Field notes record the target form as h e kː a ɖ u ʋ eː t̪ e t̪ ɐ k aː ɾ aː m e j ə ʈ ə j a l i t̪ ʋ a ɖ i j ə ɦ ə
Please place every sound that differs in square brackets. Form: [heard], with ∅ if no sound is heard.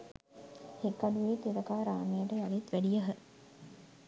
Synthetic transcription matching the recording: h e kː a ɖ u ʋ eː t̪ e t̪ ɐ k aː ɾ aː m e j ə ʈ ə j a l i t̪ ʋ [æ] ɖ i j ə ɦ ə